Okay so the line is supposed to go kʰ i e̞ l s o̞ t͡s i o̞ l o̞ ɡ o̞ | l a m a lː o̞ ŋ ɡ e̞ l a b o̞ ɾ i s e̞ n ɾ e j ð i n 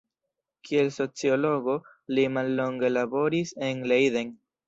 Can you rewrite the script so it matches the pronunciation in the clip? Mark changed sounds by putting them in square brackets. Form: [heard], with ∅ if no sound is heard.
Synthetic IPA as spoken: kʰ i e̞ l s o̞ t͡s i o̞ l o̞ ɡ o̞ | l [i] m a lː o̞ ŋ ɡ e̞ l a b o̞ ɾ i s e̞ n [l] e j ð [e] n